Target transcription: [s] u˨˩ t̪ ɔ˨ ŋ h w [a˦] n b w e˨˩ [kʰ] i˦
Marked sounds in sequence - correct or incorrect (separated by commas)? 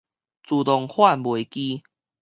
incorrect, incorrect, incorrect